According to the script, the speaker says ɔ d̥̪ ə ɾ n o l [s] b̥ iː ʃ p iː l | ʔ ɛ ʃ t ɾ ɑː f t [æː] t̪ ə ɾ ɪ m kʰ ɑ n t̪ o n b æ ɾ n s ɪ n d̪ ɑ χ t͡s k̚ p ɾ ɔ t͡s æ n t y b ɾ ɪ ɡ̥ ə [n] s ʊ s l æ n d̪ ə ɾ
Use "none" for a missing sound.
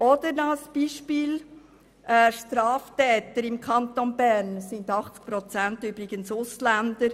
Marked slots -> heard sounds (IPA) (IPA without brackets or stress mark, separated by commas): s, ɛː, n